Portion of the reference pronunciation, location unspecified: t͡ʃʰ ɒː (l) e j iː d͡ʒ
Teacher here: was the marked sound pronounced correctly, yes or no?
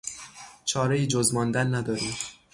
no